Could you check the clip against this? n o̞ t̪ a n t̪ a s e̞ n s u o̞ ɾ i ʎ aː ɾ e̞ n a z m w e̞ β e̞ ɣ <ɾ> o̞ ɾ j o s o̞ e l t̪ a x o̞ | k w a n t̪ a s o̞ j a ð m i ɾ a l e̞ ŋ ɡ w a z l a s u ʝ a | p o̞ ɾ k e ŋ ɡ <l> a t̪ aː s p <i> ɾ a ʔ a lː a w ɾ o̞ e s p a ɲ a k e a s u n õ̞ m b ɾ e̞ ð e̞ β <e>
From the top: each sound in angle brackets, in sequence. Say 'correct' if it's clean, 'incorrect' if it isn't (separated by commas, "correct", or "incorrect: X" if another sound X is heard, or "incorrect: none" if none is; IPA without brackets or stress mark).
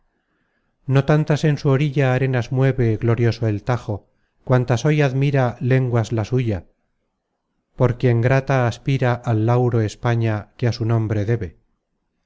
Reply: incorrect: l, incorrect: ɾ, correct, correct